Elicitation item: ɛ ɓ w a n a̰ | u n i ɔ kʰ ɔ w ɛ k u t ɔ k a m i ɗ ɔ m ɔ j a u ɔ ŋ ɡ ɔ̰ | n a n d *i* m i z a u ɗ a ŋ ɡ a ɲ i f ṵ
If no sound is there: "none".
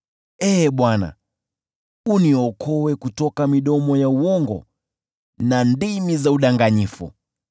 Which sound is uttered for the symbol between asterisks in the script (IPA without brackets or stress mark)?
i